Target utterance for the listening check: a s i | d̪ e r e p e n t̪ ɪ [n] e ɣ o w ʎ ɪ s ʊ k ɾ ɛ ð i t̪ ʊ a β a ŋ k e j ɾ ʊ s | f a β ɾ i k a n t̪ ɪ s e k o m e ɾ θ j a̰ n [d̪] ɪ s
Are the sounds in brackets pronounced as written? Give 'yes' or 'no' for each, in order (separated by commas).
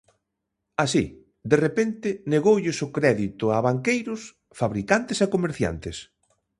yes, no